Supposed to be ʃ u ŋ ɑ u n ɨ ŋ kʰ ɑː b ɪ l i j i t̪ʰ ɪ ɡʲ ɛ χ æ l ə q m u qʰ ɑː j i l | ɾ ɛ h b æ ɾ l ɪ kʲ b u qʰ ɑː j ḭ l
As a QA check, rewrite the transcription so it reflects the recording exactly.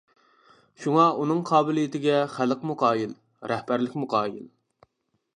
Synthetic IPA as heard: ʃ u ŋ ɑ u n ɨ ŋ qʰ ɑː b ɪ l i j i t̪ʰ ɪ ɡʲ ɛ χ æ l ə q m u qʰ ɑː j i l | ɾ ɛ h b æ ɾ l ɪ kʲ m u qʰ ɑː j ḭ l